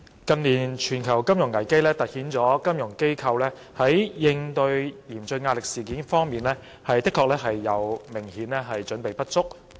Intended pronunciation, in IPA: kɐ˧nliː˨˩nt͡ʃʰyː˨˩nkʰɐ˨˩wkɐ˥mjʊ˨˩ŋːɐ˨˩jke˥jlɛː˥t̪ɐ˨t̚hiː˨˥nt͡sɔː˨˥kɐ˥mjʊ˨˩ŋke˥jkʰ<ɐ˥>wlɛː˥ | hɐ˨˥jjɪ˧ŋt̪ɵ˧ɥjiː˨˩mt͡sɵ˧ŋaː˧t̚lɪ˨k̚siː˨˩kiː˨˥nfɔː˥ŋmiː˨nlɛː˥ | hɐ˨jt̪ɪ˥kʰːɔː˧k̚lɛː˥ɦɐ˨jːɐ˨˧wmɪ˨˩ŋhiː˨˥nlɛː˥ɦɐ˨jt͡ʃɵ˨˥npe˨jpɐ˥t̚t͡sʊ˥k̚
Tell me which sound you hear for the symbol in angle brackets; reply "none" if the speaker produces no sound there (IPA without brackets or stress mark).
ɐ˧